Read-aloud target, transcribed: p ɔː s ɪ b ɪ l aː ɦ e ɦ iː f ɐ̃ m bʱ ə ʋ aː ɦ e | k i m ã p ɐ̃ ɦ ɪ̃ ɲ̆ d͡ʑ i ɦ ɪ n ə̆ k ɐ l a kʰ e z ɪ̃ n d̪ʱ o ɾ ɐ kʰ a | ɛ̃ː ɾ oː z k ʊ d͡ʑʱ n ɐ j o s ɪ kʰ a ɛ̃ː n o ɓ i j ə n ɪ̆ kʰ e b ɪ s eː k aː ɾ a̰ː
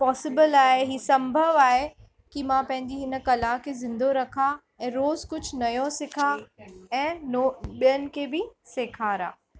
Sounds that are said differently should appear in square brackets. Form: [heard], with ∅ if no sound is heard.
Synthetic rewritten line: p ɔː s ɪ b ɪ l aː ɦ e ɦ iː [s] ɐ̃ m bʱ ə ʋ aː ɦ e | k i m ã p ɐ̃ ɦ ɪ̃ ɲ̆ d͡ʑ i ɦ ɪ n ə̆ k ɐ l a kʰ e z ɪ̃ n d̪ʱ o ɾ ɐ kʰ a | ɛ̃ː ɾ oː z k ʊ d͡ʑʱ n ɐ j o s ɪ kʰ a ɛ̃ː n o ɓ i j ə n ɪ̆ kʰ e b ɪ s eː [kʰ] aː ɾ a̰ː

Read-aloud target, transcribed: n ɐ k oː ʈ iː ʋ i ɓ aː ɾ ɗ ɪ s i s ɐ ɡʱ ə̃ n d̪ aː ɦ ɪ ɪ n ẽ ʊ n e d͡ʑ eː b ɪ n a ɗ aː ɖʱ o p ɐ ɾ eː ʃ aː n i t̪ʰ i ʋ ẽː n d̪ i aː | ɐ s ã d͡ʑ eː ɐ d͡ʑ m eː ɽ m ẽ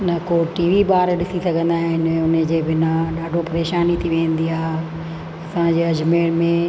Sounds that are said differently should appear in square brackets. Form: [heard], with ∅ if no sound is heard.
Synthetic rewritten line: n ɐ k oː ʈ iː ʋ i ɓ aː ɾ ɗ ɪ s i s ɐ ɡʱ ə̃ n d̪ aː ɦ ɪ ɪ n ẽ ʊ n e d͡ʑ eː b ɪ n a ɗ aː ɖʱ o p ɐ ɾ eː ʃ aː n i t̪ʰ i ʋ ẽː n d̪ i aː | ɐ s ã d͡ʑ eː ɐ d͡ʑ m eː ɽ m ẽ

